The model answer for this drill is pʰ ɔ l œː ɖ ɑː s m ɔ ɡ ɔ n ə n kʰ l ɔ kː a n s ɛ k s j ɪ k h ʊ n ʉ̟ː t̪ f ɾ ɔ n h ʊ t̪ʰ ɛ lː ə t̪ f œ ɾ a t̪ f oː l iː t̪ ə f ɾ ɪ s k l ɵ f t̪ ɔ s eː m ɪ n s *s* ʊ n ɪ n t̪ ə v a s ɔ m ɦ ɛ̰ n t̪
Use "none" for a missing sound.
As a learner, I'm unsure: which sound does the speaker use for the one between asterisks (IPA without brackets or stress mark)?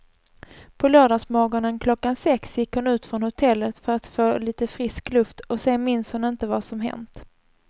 h